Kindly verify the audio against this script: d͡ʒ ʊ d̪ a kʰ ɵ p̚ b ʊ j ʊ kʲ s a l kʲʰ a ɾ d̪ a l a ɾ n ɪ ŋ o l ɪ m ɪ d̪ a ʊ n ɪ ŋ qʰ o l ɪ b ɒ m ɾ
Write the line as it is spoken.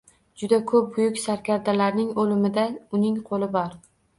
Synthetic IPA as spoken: d͡ʒ ʊ d̪ a kʰ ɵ p̚ b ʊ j ʊ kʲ s a ɾ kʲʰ a ɾ d̪ a l a ɾ n ɪ ŋ o l ɪ m ɪ d̪ a ʊ n ɪ ŋ qʰ o l ɪ b ɒ ɾ